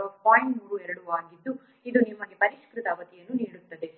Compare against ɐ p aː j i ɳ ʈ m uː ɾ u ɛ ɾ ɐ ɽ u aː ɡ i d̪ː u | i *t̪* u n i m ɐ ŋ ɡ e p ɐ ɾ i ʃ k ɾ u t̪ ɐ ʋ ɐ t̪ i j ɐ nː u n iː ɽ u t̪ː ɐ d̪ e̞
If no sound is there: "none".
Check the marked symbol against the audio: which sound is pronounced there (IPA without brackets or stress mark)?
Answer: d̪